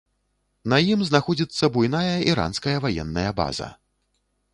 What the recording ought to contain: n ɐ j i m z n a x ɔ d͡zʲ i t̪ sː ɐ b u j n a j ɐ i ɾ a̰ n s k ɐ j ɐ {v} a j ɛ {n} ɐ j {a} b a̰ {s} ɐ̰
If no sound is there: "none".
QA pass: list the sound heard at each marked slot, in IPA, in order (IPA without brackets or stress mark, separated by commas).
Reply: v, nː, ɐ, z